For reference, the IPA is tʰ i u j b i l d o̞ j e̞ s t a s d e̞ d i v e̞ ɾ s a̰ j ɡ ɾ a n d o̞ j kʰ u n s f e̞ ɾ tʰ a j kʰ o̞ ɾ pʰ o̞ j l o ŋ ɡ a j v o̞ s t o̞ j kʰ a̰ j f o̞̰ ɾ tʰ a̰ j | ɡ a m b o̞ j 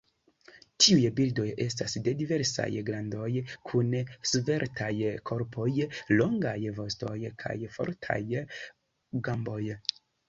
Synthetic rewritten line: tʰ i u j b i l d o̞ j e̞ s t a s d e̞ d i v e̞ ɾ s a̰ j ɡ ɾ a n d o̞ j kʰ u n s v e̞ ɾ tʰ a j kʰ o̞ ɾ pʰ o̞ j l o ŋ ɡ a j v o̞ s t o̞ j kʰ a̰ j f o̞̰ ɾ tʰ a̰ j | ɡ a m b o̞ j